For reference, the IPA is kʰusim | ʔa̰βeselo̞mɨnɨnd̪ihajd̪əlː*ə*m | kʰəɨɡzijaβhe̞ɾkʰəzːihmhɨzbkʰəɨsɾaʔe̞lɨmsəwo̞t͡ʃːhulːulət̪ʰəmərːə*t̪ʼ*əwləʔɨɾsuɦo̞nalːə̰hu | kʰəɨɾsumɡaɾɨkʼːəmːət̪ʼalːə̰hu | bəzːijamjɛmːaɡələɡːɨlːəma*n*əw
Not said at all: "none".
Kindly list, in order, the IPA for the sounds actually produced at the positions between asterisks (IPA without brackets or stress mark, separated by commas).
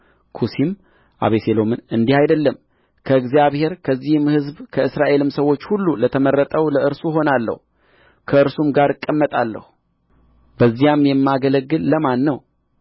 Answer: ə, t̪ʼ, nː